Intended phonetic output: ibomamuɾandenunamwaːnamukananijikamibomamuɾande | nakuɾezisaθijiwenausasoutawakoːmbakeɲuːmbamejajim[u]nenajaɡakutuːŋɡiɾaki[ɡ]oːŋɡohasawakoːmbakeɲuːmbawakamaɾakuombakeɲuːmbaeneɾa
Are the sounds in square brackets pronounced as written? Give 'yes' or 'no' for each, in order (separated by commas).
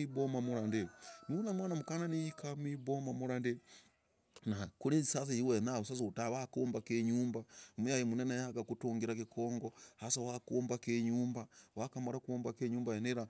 yes, no